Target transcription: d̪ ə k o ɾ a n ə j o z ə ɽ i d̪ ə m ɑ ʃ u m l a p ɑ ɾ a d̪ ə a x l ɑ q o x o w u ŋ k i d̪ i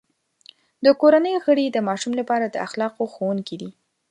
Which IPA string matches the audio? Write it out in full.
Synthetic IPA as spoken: d̪ ə k o ɾ a n ə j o ɣ ə ɽ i d̪ ə m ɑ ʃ u m l a p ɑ ɾ a d̪ ə a x l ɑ q o x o w u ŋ k i d̪ i